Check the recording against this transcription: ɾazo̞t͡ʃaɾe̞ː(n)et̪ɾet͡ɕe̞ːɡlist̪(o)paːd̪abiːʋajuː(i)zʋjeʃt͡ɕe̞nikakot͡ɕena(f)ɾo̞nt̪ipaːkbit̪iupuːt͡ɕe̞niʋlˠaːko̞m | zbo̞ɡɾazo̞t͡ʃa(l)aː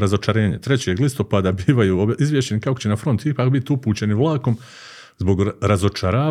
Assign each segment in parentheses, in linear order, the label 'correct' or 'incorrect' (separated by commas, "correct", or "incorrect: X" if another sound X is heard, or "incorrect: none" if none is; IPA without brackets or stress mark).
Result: incorrect: ɲ, correct, correct, correct, incorrect: ɾ